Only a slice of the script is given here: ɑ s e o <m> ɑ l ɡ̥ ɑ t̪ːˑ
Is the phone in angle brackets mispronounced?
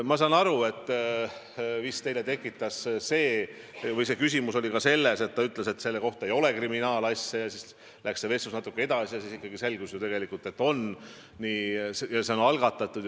yes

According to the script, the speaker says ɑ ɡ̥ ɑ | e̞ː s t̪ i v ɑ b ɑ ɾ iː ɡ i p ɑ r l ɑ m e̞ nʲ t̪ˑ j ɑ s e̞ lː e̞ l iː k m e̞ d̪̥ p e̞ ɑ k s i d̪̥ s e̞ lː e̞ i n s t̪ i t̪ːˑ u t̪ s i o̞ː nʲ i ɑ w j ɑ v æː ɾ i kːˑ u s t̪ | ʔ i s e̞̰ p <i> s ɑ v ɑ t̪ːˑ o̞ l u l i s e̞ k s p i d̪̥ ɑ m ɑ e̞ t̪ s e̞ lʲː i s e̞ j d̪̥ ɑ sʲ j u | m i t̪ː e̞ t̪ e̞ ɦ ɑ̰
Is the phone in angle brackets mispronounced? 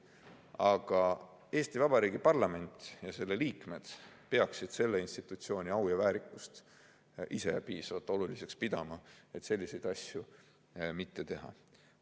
yes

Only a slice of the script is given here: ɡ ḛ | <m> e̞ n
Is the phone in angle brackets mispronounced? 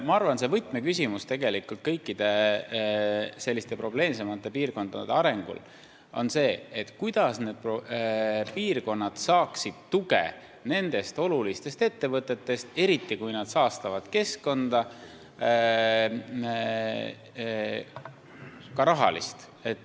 yes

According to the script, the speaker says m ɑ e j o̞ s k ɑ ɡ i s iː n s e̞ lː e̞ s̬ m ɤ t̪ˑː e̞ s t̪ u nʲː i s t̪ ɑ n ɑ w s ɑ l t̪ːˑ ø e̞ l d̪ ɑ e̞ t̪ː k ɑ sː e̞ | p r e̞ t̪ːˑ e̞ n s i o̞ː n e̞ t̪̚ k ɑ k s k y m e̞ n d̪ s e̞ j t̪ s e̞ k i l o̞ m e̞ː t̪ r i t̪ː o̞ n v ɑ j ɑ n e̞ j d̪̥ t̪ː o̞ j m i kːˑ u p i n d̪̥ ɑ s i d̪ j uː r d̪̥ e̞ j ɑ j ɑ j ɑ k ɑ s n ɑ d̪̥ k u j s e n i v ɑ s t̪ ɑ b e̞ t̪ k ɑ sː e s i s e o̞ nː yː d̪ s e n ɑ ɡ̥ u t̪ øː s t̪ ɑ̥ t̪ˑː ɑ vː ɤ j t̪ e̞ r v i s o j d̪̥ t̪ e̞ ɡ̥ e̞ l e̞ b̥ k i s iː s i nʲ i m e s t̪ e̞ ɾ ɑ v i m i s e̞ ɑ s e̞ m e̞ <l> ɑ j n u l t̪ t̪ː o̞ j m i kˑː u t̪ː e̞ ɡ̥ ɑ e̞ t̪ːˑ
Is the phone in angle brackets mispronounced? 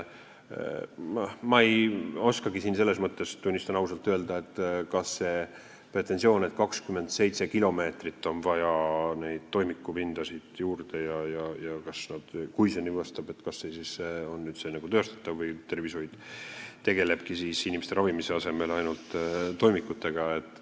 no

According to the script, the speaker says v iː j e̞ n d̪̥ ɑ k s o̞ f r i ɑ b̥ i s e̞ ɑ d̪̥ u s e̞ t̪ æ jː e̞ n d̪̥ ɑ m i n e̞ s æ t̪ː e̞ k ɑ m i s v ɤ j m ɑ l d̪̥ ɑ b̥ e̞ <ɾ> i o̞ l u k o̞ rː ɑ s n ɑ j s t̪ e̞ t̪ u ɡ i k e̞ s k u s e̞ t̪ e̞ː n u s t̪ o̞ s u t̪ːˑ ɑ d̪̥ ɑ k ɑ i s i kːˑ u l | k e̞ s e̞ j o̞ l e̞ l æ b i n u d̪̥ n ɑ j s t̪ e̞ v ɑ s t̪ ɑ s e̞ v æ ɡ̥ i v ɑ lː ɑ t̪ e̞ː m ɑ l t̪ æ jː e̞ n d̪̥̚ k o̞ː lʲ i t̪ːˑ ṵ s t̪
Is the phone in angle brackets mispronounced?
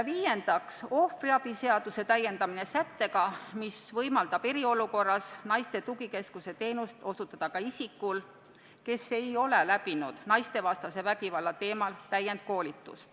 no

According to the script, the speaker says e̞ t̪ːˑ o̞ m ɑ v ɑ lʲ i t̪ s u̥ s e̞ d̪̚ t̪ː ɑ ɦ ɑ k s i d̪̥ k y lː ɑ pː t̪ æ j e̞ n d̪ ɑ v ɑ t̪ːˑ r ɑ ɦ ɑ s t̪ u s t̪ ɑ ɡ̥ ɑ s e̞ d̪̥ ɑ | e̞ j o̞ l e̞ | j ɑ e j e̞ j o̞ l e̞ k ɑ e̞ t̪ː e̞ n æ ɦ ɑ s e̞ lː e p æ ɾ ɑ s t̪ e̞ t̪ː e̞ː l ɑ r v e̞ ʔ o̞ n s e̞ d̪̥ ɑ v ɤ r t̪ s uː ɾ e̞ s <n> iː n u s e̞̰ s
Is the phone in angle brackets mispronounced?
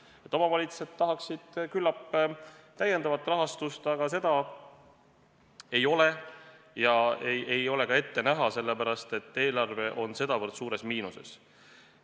yes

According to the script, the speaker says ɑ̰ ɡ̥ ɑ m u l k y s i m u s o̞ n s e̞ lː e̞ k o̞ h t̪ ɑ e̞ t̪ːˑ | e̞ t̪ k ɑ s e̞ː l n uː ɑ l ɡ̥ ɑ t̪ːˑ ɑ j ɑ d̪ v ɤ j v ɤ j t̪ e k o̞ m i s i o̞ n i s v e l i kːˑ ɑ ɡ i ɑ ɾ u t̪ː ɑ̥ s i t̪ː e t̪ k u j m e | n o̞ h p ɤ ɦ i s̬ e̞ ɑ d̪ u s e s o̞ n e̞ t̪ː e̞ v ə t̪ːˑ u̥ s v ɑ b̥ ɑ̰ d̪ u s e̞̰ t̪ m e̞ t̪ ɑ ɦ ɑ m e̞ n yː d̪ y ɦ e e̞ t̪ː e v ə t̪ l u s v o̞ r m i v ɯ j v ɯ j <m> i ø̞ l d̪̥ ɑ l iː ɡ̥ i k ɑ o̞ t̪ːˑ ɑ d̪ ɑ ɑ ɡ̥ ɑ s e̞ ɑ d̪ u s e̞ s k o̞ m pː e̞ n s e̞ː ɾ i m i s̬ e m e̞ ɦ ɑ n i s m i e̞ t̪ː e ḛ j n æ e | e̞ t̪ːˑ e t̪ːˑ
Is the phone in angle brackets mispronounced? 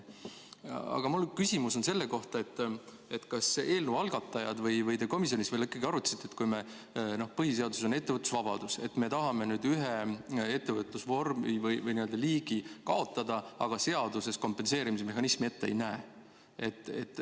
yes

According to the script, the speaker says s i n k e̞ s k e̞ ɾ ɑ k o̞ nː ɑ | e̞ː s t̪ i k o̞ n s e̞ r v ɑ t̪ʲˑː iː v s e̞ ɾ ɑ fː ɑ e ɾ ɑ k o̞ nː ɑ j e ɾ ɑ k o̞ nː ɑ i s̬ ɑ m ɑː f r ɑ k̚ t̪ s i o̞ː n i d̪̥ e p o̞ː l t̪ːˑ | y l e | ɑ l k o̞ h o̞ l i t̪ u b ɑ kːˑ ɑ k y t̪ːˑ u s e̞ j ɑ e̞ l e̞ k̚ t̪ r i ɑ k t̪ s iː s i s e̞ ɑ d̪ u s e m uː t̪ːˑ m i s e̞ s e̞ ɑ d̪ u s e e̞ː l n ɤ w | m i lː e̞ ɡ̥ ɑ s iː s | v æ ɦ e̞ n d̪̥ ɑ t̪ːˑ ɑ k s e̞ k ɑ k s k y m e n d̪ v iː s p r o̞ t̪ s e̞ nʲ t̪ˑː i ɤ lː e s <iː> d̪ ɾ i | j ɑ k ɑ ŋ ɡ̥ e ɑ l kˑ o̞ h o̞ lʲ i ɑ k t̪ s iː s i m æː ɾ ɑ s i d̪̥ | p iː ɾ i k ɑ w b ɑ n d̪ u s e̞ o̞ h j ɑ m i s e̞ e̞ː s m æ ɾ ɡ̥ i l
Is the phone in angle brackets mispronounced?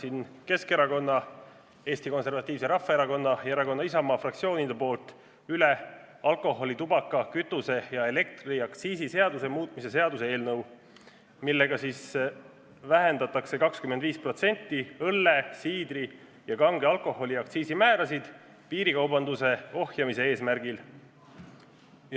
no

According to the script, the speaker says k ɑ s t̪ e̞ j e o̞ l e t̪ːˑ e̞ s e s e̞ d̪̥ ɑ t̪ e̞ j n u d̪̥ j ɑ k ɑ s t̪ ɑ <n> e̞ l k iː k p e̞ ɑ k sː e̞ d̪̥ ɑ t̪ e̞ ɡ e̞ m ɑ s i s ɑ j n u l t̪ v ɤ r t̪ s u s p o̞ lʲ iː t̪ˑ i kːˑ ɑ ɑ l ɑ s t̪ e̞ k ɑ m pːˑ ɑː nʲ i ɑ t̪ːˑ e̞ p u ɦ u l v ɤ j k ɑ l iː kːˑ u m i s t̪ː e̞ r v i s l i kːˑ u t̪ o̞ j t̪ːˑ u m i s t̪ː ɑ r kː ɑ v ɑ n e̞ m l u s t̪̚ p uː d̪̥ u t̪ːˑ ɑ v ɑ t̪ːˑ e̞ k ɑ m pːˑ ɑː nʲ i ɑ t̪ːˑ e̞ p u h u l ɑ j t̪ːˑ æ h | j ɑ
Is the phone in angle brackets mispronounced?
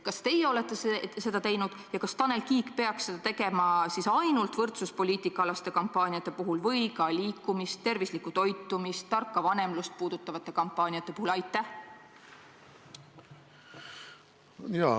no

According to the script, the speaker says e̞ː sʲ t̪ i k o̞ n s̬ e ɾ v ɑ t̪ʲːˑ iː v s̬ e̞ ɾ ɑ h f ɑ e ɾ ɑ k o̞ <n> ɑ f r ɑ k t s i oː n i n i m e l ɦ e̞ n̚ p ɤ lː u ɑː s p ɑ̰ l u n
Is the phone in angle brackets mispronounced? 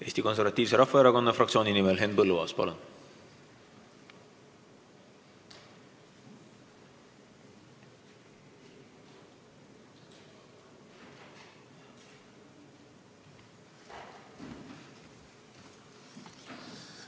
yes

